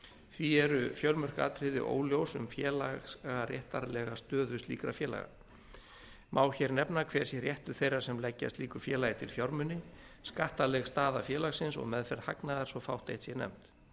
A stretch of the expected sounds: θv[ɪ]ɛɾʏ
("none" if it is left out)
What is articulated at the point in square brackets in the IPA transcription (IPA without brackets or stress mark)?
i